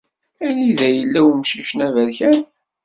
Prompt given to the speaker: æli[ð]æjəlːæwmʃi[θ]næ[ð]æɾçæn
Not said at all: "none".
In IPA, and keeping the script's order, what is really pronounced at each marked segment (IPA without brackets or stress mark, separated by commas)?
ð, ʃ, v